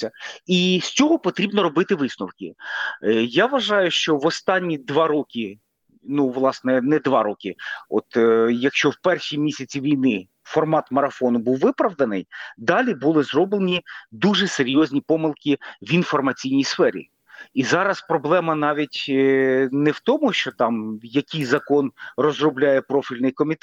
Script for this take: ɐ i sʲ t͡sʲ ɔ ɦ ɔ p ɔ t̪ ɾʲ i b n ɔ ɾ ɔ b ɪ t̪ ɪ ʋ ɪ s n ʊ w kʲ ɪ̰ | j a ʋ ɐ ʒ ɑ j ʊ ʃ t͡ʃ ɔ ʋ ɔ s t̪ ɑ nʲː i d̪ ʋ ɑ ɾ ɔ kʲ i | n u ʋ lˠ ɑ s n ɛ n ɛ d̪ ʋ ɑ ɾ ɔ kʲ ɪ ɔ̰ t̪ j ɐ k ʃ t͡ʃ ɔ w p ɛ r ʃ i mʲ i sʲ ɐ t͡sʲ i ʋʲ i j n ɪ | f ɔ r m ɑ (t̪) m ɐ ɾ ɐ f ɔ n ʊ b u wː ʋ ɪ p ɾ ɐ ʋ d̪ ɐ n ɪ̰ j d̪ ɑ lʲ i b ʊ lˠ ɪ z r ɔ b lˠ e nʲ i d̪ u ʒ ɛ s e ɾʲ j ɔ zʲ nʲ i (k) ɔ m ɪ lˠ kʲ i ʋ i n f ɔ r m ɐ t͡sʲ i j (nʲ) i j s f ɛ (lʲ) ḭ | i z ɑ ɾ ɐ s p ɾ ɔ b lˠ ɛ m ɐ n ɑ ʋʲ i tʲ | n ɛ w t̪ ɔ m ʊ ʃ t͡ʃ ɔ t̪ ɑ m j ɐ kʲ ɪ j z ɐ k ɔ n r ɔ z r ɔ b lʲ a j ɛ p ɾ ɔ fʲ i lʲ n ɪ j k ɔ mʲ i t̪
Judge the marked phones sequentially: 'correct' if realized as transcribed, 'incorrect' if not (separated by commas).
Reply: correct, incorrect, correct, incorrect